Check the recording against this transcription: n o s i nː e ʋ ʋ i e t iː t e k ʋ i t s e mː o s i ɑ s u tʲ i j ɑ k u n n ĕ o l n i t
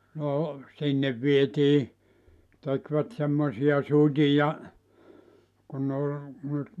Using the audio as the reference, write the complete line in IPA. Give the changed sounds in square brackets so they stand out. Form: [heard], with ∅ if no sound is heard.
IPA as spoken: n o s i nː e ʋ ʋ i e t iː t e k ʋ [æ] t s e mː o s i ɑ s u tʲ i j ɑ k u n n ĕ o l n [y] t